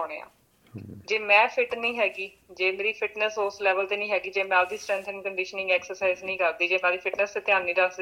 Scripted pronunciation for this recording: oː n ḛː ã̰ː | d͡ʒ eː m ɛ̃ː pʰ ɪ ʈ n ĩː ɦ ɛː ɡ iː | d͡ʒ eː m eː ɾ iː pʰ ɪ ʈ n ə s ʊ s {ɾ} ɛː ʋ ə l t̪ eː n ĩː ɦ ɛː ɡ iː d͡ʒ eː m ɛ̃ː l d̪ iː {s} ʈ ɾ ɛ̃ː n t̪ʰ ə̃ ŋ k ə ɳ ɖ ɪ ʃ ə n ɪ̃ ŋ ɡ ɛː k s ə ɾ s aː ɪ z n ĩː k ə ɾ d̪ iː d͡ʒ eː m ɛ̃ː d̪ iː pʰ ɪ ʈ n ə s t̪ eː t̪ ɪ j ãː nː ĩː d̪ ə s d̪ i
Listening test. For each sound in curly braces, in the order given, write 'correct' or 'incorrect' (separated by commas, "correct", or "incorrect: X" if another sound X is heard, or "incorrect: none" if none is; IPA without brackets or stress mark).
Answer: incorrect: l, correct